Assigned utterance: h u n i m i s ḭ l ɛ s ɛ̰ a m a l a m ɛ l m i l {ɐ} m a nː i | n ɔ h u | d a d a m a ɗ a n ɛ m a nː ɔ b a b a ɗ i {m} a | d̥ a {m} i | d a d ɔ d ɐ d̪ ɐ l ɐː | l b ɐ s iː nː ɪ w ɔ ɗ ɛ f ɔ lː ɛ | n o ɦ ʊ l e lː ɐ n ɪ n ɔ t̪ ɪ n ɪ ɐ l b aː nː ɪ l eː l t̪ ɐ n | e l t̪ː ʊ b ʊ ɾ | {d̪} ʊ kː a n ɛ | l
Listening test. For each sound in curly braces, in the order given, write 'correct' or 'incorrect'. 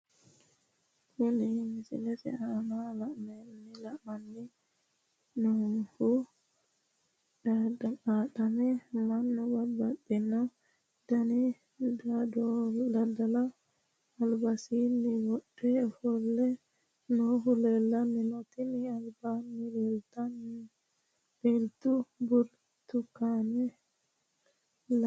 incorrect: a, incorrect: n, incorrect: n, incorrect: t̪

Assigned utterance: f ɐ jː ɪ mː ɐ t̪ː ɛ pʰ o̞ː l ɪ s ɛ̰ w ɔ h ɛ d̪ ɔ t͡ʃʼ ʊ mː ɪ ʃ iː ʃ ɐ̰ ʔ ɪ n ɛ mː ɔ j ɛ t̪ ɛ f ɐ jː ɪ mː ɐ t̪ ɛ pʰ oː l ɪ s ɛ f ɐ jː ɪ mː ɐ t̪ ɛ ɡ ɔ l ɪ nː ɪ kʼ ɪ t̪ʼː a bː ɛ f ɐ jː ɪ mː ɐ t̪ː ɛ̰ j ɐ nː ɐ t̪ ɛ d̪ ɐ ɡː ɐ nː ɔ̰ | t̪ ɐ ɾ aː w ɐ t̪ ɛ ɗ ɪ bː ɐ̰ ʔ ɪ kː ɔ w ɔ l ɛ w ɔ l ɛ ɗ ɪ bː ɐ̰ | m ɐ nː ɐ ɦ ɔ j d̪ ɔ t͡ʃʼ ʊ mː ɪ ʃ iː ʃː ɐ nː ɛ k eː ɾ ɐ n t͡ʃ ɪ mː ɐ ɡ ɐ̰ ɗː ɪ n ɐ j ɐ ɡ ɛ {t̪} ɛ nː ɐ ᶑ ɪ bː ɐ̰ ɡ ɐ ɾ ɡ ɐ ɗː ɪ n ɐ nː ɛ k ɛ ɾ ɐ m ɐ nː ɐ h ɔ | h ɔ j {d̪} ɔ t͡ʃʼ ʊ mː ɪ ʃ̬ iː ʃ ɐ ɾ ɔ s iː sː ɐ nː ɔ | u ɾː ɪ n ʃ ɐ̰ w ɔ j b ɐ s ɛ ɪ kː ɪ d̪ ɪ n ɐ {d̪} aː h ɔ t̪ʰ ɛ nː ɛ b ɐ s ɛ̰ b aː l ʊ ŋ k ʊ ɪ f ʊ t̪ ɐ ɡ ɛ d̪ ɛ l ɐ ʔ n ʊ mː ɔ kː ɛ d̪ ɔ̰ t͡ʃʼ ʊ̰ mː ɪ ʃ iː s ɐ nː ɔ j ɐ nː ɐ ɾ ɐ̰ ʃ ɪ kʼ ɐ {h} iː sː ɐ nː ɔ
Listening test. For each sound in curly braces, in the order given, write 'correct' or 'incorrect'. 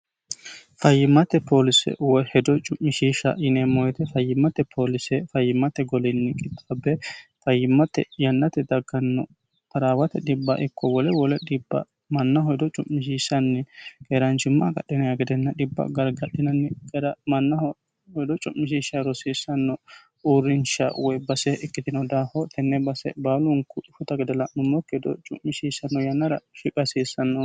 incorrect: d̪, correct, correct, incorrect: s

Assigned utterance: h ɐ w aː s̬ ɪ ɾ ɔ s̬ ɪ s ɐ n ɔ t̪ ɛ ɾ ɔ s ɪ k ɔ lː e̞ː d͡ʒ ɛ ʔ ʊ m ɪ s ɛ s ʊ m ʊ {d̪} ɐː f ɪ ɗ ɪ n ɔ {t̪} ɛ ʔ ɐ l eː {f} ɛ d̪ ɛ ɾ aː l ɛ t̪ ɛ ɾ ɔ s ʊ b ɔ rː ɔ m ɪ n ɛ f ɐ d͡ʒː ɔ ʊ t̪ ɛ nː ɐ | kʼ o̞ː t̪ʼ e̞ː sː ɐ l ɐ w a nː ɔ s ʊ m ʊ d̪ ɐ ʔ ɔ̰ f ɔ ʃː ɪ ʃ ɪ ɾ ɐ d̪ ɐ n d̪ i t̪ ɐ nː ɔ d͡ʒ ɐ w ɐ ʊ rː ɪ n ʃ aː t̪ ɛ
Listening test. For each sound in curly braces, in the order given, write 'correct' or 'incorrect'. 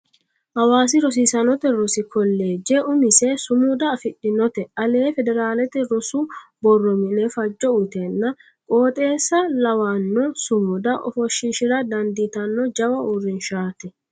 correct, correct, correct

